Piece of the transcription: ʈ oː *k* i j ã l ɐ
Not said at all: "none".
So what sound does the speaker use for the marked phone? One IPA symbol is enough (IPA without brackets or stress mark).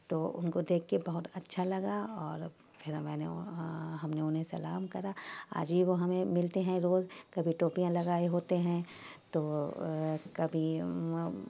p